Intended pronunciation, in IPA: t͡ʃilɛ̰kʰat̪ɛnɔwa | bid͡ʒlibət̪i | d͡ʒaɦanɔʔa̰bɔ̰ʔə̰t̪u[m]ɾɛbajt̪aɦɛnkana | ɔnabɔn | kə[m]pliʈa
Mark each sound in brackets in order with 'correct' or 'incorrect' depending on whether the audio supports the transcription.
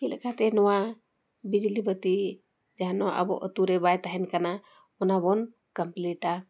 incorrect: none, correct

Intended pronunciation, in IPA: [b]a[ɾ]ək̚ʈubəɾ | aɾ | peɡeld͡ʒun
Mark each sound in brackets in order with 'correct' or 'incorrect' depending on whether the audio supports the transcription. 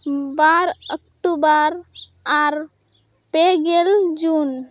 correct, correct

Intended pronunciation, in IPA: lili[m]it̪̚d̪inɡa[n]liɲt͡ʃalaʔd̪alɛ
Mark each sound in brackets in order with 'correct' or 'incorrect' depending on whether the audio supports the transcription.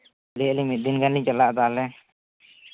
correct, correct

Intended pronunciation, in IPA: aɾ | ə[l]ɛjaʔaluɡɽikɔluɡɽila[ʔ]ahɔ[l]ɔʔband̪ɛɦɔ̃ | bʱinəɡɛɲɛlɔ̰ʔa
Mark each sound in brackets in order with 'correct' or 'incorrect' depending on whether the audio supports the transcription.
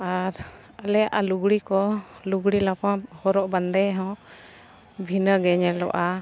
correct, incorrect: p, incorrect: ɾ

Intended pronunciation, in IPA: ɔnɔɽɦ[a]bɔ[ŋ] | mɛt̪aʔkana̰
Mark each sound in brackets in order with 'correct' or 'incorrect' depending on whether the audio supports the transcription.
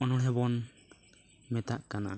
incorrect: ɛ, incorrect: n

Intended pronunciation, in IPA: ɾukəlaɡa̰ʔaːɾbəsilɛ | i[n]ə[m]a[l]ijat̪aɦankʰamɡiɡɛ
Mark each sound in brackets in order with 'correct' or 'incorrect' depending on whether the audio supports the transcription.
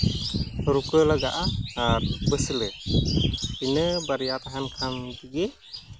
correct, incorrect: b, incorrect: ɾ

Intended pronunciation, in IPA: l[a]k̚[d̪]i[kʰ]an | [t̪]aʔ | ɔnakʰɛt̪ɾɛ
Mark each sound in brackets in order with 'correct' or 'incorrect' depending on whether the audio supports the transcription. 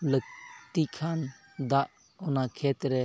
incorrect: ə, incorrect: t̪, correct, incorrect: d̪

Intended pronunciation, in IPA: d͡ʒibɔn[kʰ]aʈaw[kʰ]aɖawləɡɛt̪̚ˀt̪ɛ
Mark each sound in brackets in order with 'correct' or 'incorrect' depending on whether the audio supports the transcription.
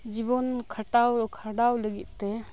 correct, correct

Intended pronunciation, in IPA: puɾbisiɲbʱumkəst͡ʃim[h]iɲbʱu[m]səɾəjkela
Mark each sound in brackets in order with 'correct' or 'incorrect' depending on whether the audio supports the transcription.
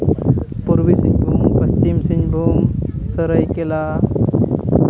incorrect: s, correct

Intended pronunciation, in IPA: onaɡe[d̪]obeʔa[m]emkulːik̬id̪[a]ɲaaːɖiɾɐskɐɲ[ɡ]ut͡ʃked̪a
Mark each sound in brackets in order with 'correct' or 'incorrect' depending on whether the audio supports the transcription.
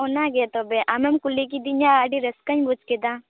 incorrect: t̪, correct, incorrect: i, incorrect: b

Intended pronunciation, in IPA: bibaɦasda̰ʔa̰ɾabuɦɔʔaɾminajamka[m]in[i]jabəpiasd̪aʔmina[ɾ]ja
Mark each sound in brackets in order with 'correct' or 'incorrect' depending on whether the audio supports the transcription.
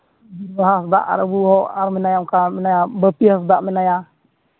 correct, incorrect: a, incorrect: none

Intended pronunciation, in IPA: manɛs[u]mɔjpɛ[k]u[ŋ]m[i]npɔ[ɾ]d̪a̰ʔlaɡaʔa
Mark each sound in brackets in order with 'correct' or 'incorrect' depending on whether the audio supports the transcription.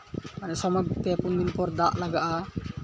incorrect: ɔ, incorrect: p, incorrect: n, correct, correct

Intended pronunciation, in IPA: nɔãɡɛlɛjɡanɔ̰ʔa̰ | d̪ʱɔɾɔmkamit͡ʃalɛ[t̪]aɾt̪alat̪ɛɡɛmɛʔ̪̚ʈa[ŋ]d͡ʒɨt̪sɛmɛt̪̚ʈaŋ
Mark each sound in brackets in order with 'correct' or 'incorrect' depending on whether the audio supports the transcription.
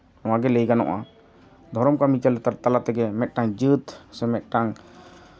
correct, correct

